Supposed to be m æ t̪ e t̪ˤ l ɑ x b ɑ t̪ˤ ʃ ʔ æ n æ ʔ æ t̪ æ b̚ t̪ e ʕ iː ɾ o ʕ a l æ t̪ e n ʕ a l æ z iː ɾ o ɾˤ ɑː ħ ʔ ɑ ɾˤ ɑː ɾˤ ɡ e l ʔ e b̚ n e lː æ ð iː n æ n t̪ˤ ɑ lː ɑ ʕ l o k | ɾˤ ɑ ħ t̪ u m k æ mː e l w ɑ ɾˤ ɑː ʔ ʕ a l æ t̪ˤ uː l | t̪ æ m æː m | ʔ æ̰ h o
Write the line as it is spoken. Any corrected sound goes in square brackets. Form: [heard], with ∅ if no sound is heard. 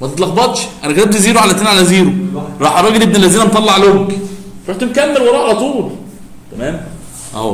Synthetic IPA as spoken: m æ t̪ e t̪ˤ l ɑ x b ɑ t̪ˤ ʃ ʔ æ n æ [k] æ t̪ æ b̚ t̪ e [z] iː ɾ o ʕ a l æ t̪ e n ʕ a l æ z iː ɾ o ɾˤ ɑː ħ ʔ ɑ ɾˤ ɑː [∅] ɡ e l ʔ e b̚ n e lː æ [z] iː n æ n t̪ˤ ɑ lː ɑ ʕ l o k | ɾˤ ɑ ħ t̪ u m k æ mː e l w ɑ ɾˤ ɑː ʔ ʕ a l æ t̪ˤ uː l | t̪ æ m æː m | ʔ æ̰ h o

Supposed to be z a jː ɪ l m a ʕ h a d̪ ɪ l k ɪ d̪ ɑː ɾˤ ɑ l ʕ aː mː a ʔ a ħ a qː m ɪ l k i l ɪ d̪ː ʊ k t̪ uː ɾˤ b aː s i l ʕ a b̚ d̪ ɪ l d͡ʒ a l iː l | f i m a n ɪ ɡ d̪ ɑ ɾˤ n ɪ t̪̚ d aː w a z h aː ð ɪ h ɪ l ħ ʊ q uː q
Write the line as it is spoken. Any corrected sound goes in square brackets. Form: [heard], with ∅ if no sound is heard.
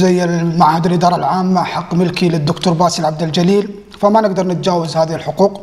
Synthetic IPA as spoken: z a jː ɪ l m a ʕ h a d̪ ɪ l [ʔ] ɪ d̪ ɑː ɾˤ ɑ l ʕ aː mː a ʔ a ħ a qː m ɪ l k i l ɪ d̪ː ʊ k t̪ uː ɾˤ b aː s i l ʕ a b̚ d̪ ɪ l d͡ʒ a l iː l | f [a] m a n ɪ ɡ d̪ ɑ ɾˤ n ɪ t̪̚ [d͡ʒ] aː w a z h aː ð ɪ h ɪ l ħ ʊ q uː q

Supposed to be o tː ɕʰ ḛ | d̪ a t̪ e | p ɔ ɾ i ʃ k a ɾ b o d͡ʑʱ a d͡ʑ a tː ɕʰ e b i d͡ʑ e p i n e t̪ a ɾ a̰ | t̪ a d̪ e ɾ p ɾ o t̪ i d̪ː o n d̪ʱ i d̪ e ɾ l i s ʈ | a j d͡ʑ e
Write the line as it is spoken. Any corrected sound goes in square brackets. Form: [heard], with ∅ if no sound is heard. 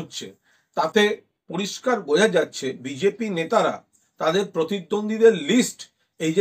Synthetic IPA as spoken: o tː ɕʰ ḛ | [t̪] a t̪ e | p [o] ɾ i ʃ k a ɾ b o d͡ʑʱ a d͡ʑ a tː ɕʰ e b i d͡ʑ e p i n e t̪ a ɾ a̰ | t̪ a d̪ e ɾ p ɾ o t̪ i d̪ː o n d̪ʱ i d̪ e ɾ l i s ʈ | [e] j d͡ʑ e

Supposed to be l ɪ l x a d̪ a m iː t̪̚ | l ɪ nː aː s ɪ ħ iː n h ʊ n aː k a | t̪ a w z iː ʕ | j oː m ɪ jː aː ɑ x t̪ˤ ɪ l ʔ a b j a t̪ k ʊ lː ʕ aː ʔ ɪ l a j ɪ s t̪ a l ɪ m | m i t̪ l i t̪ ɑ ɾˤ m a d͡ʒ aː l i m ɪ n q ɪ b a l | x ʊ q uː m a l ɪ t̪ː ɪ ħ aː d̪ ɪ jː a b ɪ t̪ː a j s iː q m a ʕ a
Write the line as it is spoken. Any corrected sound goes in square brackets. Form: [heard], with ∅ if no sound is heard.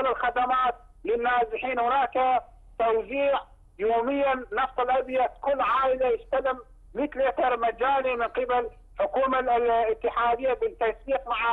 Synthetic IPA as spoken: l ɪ l x a d̪ a m [aː] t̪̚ | l ɪ nː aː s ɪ ħ iː n h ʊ n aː k a | t̪ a w z iː ʕ | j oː m ɪ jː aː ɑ [f] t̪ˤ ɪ l ʔ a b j a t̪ k ʊ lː ʕ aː ʔ ɪ l a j ɪ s t̪ a l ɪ m | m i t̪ l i t̪ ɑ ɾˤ m a d͡ʒ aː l i m ɪ n q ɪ b a l | [ħ] ʊ [k] uː m a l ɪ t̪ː ɪ ħ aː d̪ ɪ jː a b ɪ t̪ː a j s iː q m a ʕ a

